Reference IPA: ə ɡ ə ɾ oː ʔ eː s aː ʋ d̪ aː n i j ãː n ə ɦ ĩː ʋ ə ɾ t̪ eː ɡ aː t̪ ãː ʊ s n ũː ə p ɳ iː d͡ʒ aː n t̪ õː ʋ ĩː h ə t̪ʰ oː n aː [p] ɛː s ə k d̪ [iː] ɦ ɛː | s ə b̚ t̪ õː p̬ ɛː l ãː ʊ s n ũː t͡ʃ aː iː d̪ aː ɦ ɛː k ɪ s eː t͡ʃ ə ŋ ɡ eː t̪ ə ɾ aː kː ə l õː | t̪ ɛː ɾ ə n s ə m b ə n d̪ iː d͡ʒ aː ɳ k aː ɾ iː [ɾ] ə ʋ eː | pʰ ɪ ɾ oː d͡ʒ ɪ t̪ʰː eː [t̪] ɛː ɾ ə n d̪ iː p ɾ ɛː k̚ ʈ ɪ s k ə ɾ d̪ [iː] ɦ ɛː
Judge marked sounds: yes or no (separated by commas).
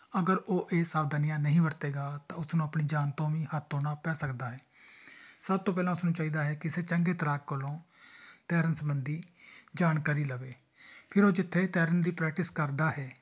yes, no, no, yes, no